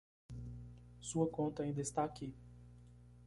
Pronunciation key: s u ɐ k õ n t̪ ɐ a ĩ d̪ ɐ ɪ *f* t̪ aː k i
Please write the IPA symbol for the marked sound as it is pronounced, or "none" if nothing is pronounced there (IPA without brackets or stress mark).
s